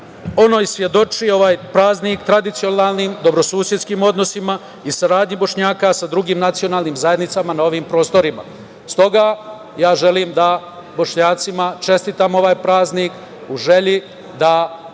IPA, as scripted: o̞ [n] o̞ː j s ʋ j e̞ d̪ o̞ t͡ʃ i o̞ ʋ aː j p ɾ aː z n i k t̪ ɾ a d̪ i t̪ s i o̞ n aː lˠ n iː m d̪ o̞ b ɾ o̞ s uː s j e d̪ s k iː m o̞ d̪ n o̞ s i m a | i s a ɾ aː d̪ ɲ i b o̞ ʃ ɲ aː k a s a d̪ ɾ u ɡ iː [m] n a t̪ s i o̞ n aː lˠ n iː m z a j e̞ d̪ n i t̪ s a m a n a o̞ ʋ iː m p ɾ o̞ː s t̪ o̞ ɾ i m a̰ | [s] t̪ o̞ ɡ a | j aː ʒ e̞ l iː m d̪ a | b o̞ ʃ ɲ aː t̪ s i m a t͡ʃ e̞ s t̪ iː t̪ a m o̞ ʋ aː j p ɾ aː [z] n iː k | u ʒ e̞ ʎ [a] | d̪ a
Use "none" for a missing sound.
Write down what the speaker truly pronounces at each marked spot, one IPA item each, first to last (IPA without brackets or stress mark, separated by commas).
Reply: n, m, s, z, i